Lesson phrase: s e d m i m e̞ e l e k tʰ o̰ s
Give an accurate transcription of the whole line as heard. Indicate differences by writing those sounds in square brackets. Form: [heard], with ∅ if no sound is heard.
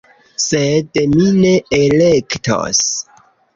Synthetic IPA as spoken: s e d m i [n] e̞ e l e k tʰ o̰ s